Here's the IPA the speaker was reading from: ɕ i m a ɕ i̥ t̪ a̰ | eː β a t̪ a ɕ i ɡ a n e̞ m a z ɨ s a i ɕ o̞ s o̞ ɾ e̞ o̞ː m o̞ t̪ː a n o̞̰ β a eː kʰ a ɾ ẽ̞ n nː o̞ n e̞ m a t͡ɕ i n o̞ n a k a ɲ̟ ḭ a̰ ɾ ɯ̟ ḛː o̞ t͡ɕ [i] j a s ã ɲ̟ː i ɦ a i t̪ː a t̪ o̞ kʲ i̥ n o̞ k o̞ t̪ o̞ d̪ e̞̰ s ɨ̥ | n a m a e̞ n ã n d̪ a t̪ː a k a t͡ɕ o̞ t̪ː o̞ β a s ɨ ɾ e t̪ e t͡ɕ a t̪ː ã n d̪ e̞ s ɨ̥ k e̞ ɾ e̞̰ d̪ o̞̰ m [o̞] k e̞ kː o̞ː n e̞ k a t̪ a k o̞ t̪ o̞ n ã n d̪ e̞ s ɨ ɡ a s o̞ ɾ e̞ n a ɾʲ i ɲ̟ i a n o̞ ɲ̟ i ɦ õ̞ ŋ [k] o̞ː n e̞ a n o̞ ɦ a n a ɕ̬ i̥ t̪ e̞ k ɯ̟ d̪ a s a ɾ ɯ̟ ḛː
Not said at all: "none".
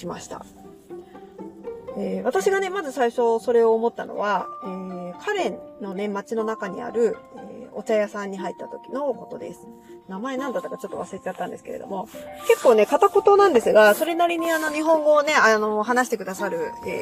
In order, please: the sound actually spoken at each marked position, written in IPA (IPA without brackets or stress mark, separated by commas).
a, o̞, ɡ